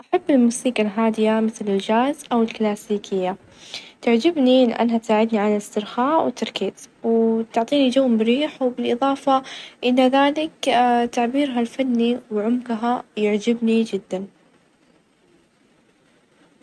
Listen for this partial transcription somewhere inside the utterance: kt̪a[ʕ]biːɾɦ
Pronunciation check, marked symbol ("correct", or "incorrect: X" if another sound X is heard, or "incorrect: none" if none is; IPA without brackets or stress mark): correct